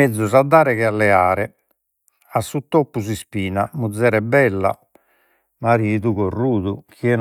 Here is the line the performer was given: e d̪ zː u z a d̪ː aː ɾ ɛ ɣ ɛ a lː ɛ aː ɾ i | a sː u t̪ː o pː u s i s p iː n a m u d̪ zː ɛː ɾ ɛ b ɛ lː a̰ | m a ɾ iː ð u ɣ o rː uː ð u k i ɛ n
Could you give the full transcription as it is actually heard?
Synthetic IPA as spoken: e d̪ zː u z a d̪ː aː ɾ ɛ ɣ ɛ a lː ɛ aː ɾ ɛ | a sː u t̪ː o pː u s i s p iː n a m u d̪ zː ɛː ɾ ɛ b ɛ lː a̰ | m a ɾ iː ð u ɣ o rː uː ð u k i ɛ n